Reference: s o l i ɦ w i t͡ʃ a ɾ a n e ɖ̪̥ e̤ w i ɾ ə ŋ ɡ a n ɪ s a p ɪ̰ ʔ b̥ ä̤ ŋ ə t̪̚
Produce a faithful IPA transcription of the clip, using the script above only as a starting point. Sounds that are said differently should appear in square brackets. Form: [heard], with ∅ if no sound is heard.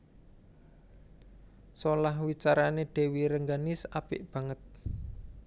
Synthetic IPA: s o l [a] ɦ w i t͡ʃ a ɾ a n e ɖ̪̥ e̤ w i ɾ ə ŋ ɡ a n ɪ s a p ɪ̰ ʔ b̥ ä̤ ŋ ə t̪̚